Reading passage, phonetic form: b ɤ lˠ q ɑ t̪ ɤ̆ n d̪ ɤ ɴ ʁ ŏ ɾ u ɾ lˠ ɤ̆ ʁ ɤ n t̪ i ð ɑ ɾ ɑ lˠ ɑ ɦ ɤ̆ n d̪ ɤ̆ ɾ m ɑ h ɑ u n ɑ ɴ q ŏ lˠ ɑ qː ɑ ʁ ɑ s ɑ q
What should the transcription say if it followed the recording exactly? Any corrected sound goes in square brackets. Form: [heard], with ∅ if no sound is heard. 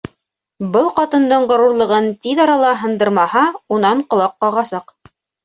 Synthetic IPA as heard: b ɤ lˠ q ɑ t̪ ɤ̆ n d̪ ɤ ɴ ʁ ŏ ɾ u ɾ lˠ ɤ̆ ʁ ɤ n t̪ i ð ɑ ɾ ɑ lˠ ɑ ɦ ɤ̆ n d̪ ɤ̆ ɾ m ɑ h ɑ u n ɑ ɴ q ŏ lˠ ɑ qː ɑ ʁ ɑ s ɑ q